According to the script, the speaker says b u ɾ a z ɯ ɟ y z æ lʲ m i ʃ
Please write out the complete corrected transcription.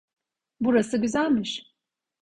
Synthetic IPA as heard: b u ɾ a s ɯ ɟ y z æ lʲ m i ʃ